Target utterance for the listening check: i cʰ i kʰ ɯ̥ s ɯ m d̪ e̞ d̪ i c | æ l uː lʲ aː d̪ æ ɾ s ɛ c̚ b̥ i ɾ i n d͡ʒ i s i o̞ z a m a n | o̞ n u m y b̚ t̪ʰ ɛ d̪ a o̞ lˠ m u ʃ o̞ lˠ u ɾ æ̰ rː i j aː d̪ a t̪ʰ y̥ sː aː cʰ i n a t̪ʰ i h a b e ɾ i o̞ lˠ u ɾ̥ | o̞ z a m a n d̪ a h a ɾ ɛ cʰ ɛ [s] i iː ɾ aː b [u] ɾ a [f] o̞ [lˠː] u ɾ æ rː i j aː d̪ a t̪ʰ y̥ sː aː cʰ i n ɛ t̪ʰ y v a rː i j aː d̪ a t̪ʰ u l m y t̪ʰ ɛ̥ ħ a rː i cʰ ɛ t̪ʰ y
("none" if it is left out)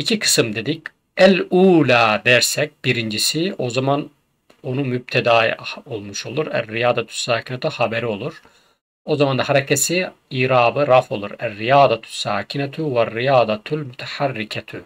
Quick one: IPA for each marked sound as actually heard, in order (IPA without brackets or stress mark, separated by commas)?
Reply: s, ɯ, f, lˠ